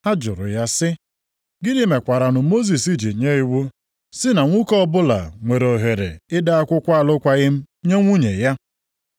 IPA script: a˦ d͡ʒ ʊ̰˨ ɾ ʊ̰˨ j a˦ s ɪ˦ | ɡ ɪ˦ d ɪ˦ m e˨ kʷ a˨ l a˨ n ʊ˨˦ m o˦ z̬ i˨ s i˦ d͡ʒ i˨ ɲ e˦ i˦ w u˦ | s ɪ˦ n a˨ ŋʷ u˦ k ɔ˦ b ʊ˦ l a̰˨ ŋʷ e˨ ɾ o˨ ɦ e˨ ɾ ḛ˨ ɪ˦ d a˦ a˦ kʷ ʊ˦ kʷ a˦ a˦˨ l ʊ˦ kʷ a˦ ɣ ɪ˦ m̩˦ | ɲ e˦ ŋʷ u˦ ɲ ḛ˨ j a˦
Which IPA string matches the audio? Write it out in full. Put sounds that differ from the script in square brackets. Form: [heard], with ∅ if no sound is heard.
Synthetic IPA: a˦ d͡ʒ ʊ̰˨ ɾ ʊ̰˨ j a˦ s ɪ˦ | ɡ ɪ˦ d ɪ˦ m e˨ kʷ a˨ [ɾ] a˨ n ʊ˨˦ m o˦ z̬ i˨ s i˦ d͡ʒ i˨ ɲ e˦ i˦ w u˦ | s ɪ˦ n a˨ ŋʷ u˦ k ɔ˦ b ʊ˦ l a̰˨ ŋʷ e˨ ɾ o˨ ɦ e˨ ɾ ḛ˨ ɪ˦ d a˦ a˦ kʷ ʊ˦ kʷ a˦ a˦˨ l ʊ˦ kʷ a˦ ɣ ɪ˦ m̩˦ | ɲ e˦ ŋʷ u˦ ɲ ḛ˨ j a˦

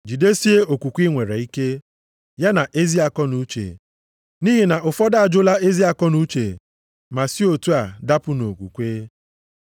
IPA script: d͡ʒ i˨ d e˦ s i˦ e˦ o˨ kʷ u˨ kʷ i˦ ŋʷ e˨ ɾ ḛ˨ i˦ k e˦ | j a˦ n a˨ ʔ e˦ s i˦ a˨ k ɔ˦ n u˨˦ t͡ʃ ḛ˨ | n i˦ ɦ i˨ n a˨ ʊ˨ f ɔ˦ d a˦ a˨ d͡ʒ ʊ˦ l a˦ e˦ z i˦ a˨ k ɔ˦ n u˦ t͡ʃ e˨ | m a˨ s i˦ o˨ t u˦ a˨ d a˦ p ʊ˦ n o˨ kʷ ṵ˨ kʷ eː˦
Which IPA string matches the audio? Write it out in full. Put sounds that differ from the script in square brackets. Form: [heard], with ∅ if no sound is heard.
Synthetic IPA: d͡ʒ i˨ d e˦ s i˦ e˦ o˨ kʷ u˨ kʷ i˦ ŋʷ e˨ ɾ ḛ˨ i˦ k e˦ | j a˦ n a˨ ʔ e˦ [z] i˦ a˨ k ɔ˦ n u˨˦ t͡ʃ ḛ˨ | n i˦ ɦ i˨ n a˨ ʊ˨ f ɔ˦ d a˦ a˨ d͡ʒ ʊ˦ l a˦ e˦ z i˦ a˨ k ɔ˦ n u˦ t͡ʃ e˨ | m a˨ s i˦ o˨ t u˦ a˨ d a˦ p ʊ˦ n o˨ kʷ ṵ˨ kʷ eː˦

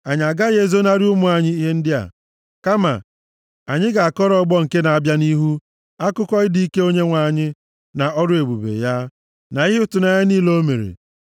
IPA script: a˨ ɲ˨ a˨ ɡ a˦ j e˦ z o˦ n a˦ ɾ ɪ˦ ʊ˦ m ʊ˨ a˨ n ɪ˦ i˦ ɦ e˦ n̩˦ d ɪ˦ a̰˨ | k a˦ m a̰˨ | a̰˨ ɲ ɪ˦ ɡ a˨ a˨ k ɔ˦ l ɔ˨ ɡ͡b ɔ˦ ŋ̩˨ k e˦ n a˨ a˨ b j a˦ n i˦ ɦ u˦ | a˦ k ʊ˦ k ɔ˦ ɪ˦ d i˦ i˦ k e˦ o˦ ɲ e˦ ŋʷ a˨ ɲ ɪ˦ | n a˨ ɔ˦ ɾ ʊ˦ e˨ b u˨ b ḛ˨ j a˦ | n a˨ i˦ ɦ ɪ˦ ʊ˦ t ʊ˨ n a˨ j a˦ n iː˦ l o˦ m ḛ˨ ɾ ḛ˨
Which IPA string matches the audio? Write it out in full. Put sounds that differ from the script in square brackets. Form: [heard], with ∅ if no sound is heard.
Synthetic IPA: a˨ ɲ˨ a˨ ɡ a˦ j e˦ z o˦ n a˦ ɾ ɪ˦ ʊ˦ m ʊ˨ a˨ [ɲ] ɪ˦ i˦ ɦ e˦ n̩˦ d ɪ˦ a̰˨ | k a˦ m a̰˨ | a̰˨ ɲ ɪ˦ ɡ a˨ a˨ k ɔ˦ [ɾ] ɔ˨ ɡ͡b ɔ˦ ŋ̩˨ k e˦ n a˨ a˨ b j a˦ n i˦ ɦ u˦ | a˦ k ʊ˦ k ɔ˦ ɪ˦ d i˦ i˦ k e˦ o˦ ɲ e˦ ŋʷ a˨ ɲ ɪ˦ | n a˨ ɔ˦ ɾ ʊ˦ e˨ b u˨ b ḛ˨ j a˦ | n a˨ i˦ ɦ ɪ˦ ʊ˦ t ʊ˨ n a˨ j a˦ n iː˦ l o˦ m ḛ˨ ɾ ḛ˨

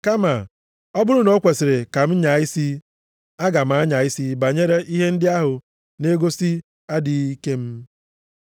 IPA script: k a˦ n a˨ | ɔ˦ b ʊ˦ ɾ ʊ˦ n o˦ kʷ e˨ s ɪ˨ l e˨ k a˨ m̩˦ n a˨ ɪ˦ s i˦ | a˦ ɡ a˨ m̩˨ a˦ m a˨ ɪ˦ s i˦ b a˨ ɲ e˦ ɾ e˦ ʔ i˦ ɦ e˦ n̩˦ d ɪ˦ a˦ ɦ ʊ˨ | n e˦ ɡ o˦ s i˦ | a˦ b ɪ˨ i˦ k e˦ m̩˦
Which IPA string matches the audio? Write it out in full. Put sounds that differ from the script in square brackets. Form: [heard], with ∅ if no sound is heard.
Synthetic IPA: k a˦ [m] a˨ | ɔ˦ b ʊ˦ ɾ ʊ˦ n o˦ kʷ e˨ s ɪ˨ [ɾ] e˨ k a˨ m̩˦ [ɲ] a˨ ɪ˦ s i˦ | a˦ ɡ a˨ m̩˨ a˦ [ɲ] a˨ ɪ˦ s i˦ b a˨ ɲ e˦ ɾ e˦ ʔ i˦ ɦ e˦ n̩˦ d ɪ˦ a˦ ɦ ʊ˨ | n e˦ ɡ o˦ s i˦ | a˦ [d] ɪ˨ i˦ k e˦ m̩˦

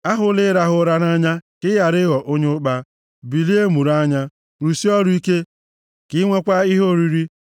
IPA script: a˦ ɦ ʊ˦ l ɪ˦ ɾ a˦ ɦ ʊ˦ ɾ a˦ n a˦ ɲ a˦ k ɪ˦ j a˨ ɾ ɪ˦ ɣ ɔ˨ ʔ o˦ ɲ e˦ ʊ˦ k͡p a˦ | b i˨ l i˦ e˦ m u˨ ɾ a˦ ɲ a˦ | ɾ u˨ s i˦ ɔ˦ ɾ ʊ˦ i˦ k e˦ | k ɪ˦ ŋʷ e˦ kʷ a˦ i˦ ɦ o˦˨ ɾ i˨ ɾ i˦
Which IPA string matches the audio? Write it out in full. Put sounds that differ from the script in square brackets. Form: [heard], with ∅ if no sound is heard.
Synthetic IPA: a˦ ɦ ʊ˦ l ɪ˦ ɾ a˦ ɦ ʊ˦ ɾ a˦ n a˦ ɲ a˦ k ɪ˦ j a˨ ɾ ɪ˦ ɣ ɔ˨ ʔ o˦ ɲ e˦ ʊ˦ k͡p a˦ | b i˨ l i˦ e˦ m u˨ ɾ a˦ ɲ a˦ | ɾ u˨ s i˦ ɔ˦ ɾ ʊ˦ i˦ k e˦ | k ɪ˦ ŋʷ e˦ kʷ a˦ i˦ ɦ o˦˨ ɾ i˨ ɾ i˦

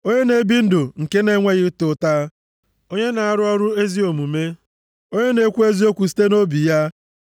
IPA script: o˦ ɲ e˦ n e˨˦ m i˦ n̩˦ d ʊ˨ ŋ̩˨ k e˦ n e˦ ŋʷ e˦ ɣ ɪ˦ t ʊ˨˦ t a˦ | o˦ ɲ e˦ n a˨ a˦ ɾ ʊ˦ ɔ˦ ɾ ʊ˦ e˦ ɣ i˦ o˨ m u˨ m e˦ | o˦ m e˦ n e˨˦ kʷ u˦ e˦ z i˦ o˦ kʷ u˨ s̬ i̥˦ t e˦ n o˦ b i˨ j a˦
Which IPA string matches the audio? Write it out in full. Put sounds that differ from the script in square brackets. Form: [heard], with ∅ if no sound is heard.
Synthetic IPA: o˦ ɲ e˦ n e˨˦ [b] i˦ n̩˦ d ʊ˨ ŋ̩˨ k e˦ n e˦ ŋʷ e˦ ɣ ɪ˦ t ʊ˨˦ t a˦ | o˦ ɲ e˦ n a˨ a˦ ɾ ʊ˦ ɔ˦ ɾ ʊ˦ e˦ [z] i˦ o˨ m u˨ m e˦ | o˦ [ɲ] e˦ n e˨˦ kʷ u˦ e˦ z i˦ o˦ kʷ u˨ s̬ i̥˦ t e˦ n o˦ b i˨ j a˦

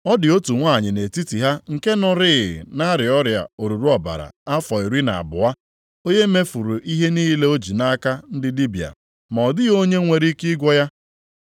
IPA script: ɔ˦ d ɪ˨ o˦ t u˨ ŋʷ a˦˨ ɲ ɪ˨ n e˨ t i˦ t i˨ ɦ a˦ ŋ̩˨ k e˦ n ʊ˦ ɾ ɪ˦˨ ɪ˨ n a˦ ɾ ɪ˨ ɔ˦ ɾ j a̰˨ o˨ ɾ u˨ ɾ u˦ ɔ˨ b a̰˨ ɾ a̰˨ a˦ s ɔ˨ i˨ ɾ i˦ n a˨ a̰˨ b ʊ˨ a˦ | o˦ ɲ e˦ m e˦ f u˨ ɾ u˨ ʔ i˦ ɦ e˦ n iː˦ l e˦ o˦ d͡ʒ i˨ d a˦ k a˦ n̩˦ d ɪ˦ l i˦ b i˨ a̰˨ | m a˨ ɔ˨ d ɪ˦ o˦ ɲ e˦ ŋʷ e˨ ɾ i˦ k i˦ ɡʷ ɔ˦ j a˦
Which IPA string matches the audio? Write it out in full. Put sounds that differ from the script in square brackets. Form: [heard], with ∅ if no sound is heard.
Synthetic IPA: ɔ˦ d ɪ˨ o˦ t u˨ ŋʷ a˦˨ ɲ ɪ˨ n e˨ t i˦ t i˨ ɦ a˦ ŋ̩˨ k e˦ n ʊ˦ ɾ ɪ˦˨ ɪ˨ n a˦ ɾ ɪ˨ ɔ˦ ɾ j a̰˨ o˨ ɾ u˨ ɾ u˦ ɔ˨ b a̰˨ ɾ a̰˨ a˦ [f] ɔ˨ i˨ ɾ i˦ n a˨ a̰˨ b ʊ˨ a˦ | o˦ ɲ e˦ m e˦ f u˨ ɾ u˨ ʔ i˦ ɦ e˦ n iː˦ l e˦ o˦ d͡ʒ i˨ [n] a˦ k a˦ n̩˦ d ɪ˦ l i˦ b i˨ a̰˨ | m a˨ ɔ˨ d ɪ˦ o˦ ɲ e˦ ŋʷ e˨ ɾ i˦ k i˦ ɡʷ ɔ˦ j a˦

